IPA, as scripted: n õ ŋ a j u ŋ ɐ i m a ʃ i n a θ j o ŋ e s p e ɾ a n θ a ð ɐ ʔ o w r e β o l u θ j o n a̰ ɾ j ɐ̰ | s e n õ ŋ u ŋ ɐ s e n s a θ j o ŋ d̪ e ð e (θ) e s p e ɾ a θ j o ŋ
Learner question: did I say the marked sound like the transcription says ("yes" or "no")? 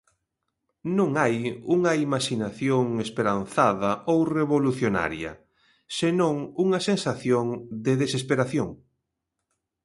no